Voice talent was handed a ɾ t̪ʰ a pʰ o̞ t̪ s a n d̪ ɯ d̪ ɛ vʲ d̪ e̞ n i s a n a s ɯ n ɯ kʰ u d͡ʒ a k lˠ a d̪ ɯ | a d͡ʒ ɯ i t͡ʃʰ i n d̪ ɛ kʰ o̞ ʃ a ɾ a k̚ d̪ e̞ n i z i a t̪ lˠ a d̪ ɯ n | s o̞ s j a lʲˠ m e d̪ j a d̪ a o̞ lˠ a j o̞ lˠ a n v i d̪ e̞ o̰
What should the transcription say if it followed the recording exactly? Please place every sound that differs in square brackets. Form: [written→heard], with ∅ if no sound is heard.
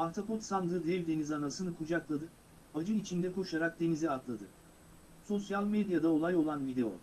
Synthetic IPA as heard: a ɾ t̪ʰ a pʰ o̞ t̪ s a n d̪ ɯ d̪ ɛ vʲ d̪ e̞ n i [s→z] a n a s ɯ n ɯ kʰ u d͡ʒ a k lˠ a d̪ ɯ | a d͡ʒ ɯ i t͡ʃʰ i n d̪ ɛ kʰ o̞ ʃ a ɾ a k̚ d̪ e̞ n i z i a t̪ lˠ a d̪ ɯ [n→∅] | s o̞ s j a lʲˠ m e d̪ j a d̪ a o̞ lˠ a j o̞ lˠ a n v i d̪ e̞ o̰